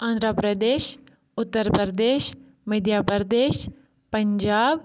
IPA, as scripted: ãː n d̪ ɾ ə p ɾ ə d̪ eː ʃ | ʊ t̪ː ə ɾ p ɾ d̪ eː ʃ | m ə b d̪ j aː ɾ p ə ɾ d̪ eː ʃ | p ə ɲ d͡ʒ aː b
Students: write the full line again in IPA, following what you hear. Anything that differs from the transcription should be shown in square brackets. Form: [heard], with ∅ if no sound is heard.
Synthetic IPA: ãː n d̪ ɾ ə p ɾ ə d̪ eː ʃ | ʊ t̪ː ə ɾ p ɾ d̪ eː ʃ | m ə [∅] d̪ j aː [∅] p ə ɾ d̪ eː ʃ | p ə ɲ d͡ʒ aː b